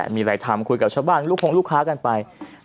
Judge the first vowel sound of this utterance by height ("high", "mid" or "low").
high